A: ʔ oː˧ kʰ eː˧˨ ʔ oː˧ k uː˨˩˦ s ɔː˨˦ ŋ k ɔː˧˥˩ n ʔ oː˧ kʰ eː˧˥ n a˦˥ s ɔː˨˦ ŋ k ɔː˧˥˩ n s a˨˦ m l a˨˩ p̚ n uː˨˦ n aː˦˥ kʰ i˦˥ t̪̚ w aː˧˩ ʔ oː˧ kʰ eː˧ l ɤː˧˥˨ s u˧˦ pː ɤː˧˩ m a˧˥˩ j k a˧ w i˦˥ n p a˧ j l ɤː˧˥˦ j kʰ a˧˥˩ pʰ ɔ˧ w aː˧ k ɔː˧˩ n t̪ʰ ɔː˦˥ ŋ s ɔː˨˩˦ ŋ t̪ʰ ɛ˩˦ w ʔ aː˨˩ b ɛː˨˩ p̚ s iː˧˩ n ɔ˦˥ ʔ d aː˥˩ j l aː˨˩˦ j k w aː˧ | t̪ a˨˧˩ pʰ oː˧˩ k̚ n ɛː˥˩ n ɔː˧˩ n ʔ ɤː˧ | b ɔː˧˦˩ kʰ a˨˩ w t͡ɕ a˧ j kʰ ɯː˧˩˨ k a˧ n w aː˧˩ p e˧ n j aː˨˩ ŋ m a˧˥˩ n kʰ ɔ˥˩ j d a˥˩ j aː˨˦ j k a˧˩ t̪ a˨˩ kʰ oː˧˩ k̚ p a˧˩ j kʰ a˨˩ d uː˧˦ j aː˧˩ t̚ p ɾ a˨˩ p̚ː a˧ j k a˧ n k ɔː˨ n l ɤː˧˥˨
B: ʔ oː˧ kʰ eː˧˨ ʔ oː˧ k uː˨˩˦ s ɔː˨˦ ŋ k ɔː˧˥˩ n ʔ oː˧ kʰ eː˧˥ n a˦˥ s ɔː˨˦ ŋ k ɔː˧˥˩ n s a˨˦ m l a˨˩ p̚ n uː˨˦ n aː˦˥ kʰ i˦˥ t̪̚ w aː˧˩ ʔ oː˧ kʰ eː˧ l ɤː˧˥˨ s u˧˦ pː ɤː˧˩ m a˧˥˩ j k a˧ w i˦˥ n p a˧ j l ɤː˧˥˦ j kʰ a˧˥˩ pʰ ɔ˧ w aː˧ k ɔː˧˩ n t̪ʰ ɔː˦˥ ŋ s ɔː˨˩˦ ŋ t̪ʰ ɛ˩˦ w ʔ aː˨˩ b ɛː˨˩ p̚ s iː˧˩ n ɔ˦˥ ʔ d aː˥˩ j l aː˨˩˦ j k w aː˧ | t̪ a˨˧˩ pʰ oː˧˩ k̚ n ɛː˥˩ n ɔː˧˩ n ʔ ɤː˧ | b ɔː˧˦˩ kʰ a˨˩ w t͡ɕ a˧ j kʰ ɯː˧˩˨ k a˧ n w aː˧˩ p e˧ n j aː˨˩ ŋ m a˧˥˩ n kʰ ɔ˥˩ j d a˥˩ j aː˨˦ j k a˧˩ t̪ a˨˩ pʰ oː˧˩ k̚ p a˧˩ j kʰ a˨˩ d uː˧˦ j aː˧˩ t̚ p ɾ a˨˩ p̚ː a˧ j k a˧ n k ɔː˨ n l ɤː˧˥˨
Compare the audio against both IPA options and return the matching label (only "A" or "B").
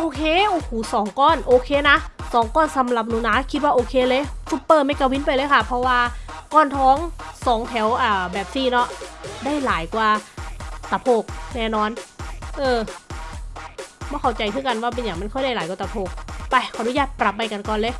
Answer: B